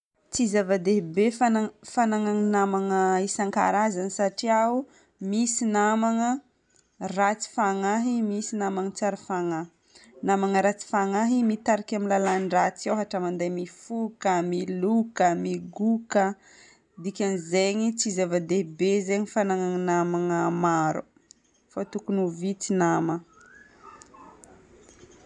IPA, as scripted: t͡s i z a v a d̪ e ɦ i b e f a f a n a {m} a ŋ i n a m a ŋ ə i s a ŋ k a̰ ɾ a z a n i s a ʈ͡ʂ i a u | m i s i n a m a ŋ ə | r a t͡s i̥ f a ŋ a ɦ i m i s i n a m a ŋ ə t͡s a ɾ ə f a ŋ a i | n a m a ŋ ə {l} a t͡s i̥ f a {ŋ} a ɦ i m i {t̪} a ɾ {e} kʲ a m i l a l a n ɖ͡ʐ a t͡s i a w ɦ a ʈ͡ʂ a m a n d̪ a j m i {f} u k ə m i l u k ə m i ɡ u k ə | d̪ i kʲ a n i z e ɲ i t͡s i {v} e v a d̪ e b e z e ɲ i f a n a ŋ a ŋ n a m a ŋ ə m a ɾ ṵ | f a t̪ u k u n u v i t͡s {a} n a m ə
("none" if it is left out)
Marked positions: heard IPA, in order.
ŋ, ɾ, ŋ, t̪, a, f, z, i

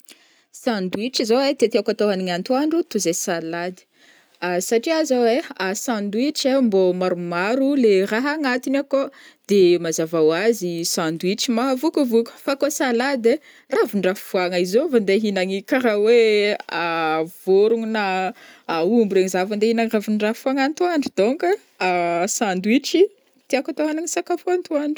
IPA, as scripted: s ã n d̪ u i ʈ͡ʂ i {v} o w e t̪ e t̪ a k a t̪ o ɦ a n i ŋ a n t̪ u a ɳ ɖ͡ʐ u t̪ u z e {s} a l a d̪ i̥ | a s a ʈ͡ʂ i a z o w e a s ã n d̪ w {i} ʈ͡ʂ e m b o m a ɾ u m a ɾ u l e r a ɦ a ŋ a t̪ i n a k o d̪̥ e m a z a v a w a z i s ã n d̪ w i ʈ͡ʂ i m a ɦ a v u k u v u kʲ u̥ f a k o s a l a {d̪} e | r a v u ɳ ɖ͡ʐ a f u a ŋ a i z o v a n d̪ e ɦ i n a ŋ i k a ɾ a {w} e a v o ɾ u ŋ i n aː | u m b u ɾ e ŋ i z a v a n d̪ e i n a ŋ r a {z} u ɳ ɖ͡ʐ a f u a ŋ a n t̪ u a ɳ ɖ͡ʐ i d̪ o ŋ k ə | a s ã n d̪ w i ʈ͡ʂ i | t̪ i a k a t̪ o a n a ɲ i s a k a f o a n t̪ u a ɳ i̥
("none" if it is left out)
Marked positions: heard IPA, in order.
z, s, i, d̪, w, v

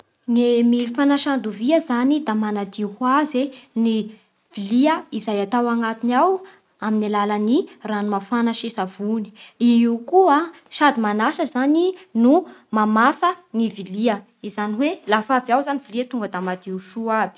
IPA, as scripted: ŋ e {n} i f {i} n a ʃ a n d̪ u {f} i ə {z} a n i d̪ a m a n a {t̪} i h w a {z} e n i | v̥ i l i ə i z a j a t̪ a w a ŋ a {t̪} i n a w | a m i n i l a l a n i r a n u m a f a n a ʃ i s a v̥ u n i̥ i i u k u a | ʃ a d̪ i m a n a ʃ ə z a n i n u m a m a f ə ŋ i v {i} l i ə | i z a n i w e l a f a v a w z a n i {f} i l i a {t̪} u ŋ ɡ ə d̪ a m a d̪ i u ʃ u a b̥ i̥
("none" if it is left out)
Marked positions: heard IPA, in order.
m, a, v, z, d̪, z, t̪, i, v, t̪

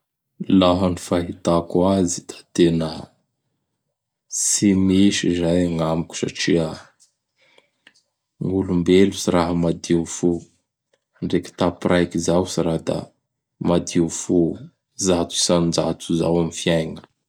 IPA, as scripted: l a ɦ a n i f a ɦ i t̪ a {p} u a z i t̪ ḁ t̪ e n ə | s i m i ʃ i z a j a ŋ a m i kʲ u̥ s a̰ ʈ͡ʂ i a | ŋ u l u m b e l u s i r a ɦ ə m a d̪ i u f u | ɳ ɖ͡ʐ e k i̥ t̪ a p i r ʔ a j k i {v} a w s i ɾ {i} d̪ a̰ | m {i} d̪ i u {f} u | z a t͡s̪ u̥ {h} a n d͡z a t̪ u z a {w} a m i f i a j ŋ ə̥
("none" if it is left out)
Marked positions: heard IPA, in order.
k, z, a, a, f, s, w

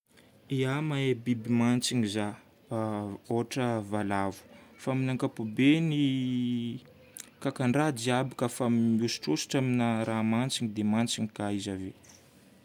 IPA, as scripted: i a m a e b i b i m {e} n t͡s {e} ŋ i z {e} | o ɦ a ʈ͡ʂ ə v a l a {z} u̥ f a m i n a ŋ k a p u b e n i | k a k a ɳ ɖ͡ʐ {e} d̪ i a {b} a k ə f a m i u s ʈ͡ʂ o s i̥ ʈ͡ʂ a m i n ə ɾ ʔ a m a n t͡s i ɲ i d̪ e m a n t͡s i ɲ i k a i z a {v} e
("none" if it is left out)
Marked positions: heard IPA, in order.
a, i, a, v, a, b, v

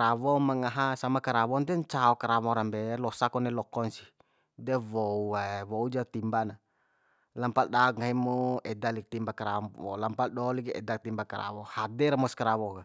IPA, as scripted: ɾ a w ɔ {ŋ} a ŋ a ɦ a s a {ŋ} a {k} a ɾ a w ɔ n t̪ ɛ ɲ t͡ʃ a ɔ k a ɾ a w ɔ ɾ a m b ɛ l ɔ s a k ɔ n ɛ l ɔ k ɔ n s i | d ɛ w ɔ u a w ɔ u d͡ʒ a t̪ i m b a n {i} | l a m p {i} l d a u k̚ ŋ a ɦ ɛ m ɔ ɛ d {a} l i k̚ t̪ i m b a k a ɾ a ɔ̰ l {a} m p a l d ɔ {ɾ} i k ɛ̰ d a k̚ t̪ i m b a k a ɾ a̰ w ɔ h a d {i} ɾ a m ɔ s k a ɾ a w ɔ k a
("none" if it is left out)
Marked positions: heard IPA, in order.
m, m, k, a, a, a, a, l, ɛ

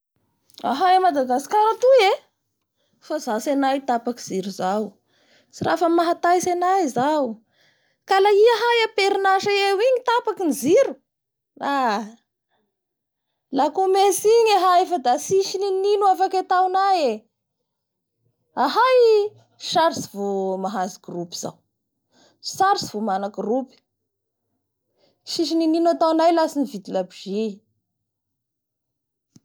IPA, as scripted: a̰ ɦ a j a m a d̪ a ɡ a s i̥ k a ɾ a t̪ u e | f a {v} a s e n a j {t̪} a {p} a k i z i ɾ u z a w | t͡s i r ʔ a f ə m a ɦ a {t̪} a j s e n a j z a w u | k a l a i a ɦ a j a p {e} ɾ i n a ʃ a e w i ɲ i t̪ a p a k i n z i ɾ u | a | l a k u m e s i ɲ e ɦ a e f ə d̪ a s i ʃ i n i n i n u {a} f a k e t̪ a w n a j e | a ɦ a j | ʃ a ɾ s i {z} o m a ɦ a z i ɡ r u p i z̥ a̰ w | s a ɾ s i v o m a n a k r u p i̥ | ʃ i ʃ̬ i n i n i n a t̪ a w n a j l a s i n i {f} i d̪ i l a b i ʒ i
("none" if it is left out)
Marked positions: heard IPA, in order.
z, t̪, p, t̪, e, a, v, v

